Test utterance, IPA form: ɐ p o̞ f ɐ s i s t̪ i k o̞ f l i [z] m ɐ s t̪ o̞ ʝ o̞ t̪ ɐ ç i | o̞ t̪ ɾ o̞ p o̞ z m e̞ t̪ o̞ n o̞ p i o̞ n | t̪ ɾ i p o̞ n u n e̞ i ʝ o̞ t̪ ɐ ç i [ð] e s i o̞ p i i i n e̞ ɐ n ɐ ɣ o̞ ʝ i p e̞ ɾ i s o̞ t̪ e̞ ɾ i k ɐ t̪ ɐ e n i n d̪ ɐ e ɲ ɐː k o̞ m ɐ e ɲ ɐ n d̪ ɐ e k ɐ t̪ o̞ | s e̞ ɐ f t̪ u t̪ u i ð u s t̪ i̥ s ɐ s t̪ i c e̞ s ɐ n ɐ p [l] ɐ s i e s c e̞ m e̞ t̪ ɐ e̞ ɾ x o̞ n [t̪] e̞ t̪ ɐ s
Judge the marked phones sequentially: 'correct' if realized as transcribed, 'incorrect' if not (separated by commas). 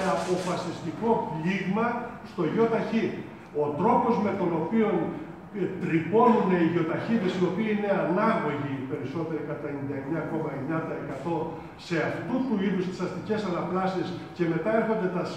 incorrect, correct, correct, incorrect